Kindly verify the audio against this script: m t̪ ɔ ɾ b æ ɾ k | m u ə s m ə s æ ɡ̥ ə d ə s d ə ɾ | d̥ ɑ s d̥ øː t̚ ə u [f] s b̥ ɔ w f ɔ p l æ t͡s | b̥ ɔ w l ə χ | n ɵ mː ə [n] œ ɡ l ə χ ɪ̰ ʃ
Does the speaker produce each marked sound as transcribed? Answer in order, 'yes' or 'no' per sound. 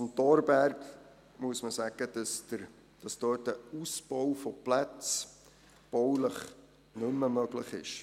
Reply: no, no

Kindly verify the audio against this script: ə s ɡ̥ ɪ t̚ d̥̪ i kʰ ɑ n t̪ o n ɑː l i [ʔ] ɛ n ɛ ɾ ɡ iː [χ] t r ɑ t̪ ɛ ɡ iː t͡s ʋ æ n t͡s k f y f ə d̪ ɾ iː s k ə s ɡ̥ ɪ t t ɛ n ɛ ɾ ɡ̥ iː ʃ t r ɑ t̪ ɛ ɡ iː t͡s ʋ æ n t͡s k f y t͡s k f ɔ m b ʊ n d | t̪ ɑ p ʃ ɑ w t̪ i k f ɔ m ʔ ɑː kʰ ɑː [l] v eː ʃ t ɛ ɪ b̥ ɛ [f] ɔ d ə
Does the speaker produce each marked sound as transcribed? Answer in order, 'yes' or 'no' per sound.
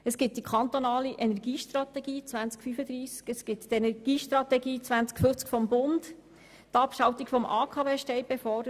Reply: yes, no, no, yes

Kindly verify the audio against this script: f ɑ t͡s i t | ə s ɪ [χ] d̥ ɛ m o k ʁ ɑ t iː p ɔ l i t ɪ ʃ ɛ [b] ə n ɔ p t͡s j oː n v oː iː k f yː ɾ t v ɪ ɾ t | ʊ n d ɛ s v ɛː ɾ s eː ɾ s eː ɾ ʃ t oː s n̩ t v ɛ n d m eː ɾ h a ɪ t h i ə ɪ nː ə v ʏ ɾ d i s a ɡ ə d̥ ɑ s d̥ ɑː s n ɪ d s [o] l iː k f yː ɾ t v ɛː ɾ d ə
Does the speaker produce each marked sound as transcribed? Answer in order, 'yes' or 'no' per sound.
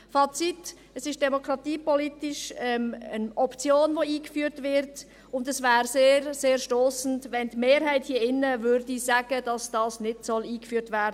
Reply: no, no, no

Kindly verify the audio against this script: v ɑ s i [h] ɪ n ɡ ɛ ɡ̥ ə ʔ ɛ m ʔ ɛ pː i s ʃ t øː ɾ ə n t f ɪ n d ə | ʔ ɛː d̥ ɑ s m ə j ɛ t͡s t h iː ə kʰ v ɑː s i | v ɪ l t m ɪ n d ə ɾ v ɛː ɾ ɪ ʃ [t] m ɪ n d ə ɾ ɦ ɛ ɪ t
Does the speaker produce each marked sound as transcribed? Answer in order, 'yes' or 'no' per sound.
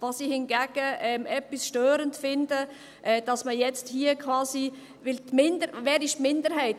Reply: yes, yes

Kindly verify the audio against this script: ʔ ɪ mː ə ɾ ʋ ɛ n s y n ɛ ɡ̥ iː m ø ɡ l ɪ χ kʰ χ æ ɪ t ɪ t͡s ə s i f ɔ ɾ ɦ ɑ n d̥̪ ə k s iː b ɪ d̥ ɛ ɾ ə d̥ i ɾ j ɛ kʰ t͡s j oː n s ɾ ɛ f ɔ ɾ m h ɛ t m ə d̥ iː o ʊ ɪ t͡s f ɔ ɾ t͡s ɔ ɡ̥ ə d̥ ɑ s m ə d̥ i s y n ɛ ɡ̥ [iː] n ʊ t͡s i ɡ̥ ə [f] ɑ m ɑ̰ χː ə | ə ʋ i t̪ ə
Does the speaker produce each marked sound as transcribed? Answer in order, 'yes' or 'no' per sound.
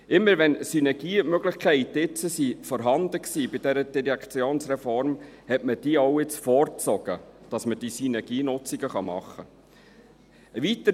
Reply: yes, no

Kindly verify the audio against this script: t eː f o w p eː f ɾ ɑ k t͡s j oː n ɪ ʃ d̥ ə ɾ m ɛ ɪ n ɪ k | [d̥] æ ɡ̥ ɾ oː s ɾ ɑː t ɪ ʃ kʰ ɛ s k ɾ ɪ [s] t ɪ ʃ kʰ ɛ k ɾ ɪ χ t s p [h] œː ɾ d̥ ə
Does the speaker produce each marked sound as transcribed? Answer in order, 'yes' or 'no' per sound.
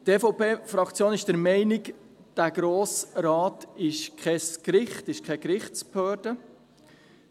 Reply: yes, no, yes

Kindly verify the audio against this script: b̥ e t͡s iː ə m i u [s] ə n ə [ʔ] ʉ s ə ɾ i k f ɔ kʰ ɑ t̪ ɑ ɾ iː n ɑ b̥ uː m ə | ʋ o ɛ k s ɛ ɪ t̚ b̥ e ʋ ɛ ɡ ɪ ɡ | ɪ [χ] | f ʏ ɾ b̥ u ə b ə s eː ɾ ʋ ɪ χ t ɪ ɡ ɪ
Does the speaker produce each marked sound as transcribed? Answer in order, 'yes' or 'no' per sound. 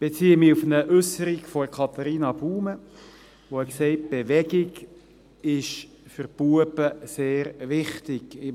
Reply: no, yes, no

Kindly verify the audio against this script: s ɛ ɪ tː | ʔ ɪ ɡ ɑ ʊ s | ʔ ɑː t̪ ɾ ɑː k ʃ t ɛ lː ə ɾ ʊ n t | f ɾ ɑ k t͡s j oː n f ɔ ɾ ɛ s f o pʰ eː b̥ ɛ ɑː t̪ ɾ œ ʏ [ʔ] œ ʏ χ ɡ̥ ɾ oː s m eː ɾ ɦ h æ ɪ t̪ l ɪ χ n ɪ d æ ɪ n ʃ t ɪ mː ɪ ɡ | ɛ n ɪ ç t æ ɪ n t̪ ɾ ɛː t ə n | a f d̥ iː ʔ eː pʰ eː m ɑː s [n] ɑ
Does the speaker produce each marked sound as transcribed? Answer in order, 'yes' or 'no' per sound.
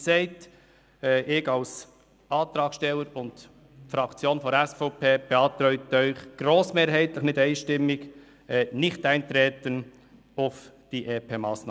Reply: no, yes

